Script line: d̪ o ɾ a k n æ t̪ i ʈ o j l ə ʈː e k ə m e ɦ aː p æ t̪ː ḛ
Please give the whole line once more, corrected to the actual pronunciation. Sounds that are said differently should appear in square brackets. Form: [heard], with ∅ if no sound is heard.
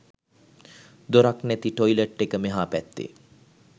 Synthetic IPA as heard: d̪ o ɾ a k n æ t̪ i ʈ o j l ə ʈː e k ə m e ɦ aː p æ t̪ː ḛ